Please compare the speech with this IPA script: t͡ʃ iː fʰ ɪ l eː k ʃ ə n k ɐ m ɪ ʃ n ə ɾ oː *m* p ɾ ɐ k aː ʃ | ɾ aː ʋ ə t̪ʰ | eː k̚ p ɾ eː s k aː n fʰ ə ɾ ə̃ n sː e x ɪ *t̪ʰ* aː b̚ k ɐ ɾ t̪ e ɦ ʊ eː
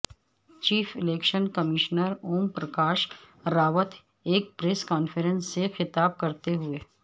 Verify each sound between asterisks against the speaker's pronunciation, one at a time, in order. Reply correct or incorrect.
correct, incorrect: t̪

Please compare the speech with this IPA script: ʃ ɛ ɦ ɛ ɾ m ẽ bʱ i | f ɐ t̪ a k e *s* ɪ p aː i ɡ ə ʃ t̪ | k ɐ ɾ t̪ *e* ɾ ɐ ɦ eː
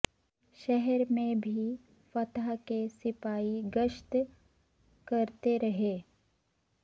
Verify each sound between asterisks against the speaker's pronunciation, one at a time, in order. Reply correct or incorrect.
correct, correct

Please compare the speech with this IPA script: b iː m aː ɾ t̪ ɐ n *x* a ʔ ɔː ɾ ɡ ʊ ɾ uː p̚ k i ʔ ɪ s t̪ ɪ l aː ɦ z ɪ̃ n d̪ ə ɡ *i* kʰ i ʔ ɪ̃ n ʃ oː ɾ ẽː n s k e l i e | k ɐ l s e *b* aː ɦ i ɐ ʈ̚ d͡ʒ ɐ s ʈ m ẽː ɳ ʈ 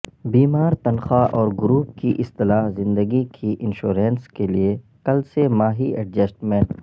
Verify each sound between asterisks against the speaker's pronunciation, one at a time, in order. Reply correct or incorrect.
correct, correct, incorrect: m

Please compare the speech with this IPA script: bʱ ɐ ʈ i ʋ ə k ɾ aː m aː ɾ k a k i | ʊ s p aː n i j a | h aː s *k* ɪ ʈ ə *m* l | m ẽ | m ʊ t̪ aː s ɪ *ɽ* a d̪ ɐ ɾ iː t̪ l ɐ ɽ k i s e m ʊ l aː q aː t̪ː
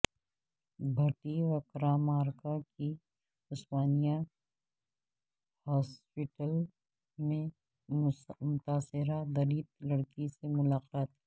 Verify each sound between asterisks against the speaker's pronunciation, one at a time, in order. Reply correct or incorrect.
incorrect: p, incorrect: none, incorrect: ɾ

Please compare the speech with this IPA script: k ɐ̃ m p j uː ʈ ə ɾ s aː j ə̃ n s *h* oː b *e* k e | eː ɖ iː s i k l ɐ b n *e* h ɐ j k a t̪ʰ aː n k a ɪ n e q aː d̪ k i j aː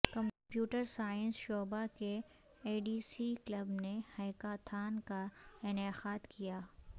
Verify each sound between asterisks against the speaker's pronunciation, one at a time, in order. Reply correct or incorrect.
incorrect: ʃ, incorrect: a, correct

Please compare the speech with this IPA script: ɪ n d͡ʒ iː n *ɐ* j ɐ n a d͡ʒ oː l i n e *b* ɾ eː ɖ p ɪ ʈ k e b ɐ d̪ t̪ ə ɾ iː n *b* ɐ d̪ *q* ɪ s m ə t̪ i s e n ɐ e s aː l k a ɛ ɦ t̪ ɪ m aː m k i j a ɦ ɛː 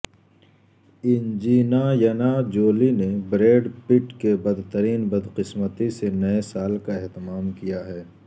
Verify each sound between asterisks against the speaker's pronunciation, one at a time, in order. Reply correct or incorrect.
incorrect: a, correct, correct, correct

